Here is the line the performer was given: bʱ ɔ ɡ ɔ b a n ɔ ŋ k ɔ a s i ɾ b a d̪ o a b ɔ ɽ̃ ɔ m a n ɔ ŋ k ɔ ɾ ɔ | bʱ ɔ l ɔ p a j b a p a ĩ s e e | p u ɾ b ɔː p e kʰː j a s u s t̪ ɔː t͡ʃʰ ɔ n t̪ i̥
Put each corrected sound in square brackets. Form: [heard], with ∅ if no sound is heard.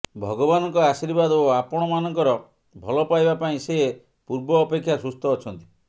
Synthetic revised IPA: bʱ ɔ ɡ ɔ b a n ɔ ŋ k ɔ a s i ɾ b a d̪ o a [p] ɔ ɽ̃ ɔ m a n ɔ ŋ k ɔ ɾ ɔ | bʱ ɔ l ɔ p a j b a p a ĩ s e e | p u ɾ b ɔː p e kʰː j a s u s t̪ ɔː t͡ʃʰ ɔ n t̪ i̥